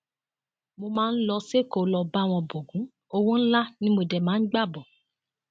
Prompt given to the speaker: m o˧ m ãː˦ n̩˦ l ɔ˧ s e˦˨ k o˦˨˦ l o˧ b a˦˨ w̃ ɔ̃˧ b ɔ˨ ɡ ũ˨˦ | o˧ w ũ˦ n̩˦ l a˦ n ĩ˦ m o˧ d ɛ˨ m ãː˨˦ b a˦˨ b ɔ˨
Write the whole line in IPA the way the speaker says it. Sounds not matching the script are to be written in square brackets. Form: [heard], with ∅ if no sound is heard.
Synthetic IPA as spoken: m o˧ m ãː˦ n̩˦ l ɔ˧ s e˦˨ k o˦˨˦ l [ɔ˧] b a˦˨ w̃ ɔ̃˧ b [o˨] ɡ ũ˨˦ | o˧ w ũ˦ n̩˦ l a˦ n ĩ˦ m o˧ d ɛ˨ m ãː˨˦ [ɡ͡b] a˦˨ b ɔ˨